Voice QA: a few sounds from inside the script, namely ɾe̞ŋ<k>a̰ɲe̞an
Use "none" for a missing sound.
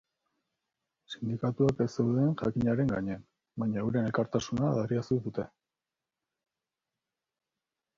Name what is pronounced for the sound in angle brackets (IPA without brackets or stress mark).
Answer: ɡ